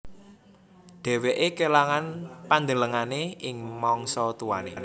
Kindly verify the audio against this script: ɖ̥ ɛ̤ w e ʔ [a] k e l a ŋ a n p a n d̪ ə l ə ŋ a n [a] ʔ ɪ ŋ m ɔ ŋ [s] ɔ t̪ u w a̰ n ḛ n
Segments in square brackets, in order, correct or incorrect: incorrect, incorrect, correct

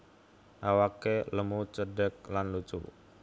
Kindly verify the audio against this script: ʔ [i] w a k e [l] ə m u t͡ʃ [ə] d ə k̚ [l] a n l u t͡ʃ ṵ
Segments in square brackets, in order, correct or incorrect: incorrect, correct, correct, correct

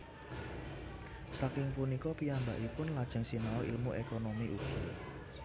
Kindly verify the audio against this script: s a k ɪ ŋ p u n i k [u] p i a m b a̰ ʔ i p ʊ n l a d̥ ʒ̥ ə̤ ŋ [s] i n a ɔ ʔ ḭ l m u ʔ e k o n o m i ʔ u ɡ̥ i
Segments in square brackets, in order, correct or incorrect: incorrect, correct

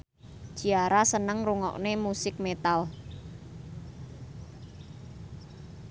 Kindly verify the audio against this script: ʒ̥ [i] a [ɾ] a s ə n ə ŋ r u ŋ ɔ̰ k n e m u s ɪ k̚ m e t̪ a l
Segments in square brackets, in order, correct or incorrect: correct, correct

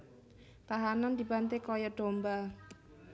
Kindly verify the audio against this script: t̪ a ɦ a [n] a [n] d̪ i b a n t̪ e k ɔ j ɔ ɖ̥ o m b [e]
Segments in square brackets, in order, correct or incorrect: correct, correct, incorrect

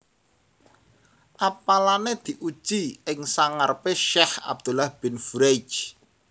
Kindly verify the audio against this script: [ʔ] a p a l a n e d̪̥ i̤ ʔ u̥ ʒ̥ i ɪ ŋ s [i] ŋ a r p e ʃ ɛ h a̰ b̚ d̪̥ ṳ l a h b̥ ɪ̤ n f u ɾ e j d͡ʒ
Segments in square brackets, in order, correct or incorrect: correct, incorrect

